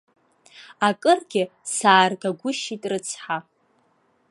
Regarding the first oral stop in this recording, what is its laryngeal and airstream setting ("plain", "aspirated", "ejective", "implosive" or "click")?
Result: ejective